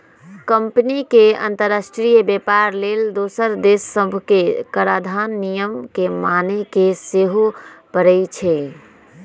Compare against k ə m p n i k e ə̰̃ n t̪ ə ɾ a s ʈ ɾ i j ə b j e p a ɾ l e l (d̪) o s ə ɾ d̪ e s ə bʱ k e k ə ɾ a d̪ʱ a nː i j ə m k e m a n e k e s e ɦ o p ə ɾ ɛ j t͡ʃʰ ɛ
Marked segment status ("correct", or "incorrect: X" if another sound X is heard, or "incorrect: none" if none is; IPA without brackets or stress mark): correct